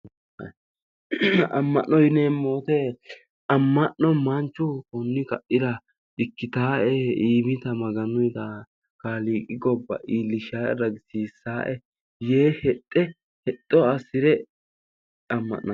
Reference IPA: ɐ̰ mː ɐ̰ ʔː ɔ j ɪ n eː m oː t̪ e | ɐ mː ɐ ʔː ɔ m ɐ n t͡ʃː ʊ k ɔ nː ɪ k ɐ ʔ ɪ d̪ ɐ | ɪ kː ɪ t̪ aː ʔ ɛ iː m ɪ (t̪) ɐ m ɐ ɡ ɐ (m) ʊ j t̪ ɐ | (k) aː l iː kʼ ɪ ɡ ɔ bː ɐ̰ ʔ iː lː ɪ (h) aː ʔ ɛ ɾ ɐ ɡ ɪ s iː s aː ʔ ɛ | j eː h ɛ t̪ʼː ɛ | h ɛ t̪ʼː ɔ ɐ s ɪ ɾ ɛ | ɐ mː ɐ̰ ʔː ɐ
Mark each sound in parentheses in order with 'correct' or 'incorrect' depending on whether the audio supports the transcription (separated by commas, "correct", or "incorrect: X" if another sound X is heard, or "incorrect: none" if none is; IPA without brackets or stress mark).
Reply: correct, incorrect: n, correct, incorrect: ʃ